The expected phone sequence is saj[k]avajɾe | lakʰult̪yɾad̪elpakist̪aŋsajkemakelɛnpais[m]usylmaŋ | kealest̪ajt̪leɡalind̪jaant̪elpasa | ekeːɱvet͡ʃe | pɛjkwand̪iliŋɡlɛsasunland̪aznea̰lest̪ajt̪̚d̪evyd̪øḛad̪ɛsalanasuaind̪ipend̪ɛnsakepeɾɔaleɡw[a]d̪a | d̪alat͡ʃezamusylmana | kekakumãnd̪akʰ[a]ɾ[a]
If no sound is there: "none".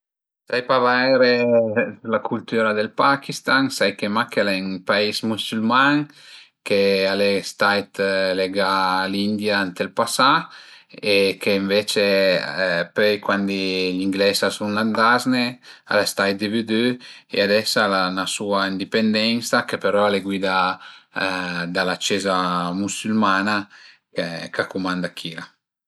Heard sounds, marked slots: p, m, i, i, a

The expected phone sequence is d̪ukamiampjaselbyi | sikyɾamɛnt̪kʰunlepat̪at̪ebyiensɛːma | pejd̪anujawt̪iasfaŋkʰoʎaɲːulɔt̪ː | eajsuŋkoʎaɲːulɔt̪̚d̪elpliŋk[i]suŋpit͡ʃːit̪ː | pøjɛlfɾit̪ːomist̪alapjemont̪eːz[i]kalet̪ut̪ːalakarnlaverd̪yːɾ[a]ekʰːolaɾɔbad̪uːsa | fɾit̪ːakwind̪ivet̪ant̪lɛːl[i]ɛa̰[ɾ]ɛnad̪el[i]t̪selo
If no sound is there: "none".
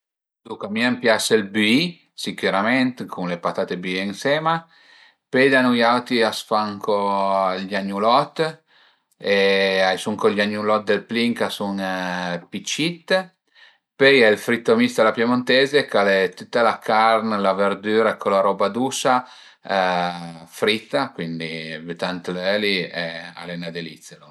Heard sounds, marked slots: a, e, a, i, l, i

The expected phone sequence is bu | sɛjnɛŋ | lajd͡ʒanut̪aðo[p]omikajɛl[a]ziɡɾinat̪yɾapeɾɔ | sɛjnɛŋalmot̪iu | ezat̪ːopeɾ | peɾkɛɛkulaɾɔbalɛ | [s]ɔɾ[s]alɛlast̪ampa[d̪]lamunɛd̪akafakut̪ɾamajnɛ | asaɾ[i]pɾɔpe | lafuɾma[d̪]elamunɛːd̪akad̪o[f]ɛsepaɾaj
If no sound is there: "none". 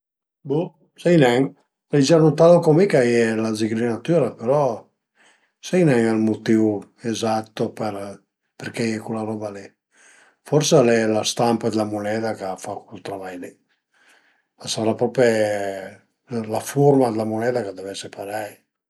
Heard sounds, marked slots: k, a, f, s, d̪, a, d̪, v

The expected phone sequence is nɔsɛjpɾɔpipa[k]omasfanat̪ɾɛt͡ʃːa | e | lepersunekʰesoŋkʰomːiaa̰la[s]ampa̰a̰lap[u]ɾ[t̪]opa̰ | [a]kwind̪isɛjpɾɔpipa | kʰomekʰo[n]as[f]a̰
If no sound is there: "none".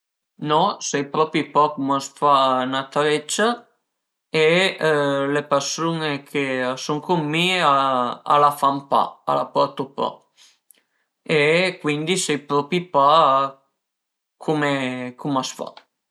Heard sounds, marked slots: k, f, ɔ, t̪, e, m, f

